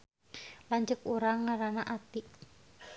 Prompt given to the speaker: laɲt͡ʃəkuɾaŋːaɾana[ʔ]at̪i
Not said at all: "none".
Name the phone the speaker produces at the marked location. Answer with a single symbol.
ʔ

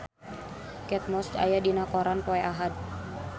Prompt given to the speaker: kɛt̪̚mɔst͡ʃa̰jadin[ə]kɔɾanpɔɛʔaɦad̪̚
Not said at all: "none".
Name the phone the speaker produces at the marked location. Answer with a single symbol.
a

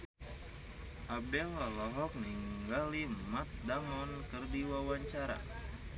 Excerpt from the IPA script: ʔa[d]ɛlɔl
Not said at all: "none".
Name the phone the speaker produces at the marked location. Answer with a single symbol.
b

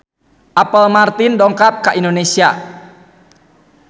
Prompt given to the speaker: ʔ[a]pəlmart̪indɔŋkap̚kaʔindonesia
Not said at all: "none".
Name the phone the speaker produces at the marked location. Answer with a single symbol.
a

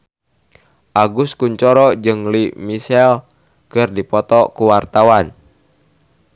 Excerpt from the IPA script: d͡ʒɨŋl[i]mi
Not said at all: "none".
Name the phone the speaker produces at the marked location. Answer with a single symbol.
i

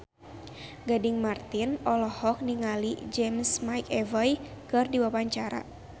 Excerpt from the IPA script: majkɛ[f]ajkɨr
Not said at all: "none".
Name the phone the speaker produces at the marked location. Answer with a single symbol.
v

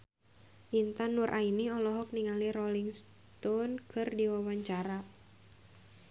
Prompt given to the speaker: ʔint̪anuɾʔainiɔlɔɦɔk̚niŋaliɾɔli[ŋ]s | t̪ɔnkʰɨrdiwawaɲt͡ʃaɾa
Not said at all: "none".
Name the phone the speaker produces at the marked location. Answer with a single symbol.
ŋ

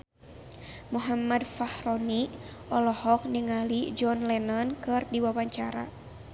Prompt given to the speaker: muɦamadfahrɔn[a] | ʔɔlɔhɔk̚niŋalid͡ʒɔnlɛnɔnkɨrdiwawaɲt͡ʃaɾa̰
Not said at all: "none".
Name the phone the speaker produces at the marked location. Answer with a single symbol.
i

